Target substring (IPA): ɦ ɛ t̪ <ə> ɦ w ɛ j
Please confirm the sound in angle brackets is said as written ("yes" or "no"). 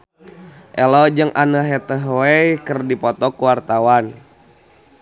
yes